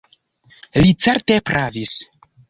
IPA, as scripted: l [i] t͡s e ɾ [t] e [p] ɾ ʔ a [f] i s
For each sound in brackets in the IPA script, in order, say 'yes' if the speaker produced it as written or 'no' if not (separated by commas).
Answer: yes, yes, yes, no